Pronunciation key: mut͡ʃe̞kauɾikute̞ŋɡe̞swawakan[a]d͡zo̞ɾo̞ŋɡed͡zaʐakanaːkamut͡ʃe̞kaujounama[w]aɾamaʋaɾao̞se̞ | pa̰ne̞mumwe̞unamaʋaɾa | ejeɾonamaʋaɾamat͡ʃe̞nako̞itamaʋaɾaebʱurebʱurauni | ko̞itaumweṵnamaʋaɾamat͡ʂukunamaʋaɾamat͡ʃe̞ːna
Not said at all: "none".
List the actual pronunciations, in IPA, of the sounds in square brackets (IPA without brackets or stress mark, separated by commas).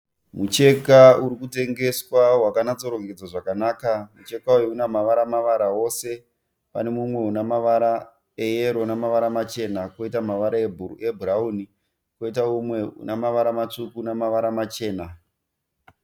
a, ʋ